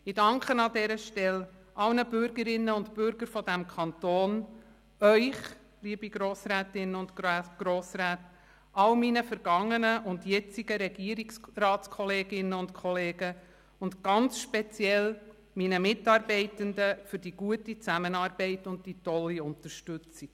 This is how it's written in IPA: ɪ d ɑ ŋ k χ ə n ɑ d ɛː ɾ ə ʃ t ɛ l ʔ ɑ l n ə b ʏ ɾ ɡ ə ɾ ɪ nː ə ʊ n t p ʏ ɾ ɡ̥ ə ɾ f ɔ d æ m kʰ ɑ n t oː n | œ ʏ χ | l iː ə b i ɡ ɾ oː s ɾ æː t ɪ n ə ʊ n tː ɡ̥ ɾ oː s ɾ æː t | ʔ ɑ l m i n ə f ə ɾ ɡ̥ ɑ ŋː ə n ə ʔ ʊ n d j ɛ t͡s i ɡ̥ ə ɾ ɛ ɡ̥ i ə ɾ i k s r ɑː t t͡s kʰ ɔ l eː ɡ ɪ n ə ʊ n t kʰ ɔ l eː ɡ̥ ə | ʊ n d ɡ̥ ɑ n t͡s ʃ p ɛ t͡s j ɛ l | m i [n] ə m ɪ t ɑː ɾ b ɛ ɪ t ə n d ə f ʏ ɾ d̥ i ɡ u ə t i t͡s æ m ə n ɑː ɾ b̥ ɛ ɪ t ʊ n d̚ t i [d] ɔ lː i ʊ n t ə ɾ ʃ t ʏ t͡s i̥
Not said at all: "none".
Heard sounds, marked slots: n, t

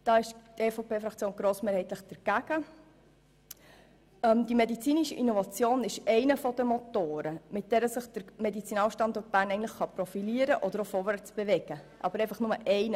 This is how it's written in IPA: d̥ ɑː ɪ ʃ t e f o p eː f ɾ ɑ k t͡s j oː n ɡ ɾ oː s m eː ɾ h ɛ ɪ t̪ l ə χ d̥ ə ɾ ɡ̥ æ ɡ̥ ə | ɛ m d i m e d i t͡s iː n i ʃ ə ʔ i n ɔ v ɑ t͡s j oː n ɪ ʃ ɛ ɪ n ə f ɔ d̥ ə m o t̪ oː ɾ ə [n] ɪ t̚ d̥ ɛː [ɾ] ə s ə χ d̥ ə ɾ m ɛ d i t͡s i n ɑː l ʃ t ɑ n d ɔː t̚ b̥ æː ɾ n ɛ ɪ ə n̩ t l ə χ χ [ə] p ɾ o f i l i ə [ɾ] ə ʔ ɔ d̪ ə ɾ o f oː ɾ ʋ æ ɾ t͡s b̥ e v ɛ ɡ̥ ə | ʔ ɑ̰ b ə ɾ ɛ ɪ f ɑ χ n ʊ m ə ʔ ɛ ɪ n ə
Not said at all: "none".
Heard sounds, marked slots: m, ɾ, ɑ, ɾ

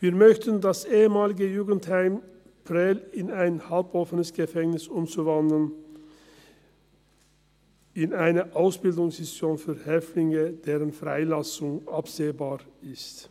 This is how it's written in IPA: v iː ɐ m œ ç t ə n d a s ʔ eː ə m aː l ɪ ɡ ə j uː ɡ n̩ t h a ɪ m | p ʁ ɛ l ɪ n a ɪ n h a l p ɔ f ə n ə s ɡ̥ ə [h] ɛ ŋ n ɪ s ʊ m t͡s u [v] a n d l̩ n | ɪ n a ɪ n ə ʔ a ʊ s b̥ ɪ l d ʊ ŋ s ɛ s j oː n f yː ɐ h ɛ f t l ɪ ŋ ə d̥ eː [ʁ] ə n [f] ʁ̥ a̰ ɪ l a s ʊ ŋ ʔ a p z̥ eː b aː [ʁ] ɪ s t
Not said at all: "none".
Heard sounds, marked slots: f, v, ʁ, f, ʁ

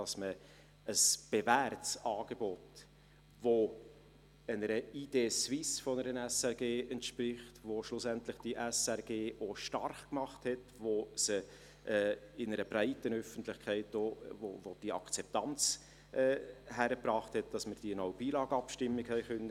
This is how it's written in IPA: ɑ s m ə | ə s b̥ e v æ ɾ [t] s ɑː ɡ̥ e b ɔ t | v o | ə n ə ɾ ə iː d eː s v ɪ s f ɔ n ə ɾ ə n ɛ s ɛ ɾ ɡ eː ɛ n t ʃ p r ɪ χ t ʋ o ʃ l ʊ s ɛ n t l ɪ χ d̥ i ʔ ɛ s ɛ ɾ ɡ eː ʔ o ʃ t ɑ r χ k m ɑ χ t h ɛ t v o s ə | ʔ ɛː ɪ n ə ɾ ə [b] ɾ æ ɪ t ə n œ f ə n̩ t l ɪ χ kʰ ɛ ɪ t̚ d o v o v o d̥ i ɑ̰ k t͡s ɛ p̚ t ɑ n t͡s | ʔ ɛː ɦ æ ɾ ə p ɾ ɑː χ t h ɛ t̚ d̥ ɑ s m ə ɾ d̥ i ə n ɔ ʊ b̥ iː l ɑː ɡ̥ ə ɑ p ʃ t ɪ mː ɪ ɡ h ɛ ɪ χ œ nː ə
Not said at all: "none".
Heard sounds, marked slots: t, b

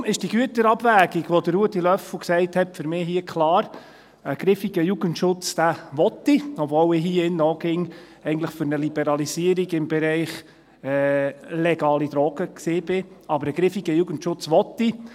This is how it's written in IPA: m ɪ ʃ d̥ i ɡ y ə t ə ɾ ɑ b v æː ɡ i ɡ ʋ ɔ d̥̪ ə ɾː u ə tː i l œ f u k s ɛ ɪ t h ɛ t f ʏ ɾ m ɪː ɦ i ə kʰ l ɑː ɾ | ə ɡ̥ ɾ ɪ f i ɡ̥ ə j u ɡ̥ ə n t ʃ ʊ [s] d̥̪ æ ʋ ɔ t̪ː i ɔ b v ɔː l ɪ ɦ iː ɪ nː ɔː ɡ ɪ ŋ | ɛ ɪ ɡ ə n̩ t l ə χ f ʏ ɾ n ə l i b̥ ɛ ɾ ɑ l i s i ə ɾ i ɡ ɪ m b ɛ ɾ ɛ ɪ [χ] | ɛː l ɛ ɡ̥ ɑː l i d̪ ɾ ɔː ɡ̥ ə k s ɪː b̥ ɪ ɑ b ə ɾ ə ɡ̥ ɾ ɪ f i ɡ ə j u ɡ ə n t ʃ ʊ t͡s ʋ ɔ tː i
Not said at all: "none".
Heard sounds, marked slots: t͡s, χ

